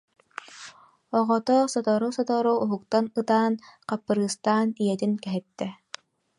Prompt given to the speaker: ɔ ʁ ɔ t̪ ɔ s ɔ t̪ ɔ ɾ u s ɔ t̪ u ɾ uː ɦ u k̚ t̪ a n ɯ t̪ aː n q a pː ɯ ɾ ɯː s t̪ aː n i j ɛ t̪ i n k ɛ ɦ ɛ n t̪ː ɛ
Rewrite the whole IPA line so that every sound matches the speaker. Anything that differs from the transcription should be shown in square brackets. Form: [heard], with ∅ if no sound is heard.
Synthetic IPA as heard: ɔ ʁ ɔ t̪ ɔ s ɔ t̪ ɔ ɾ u s ɔ t̪ [ɔ] ɾ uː ɦ u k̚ t̪ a n ɯ t̪ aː n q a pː ɯ ɾ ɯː s t̪ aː n i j ɛ t̪ i n k ɛ ɦ ɛ [∅] t̪ː ɛ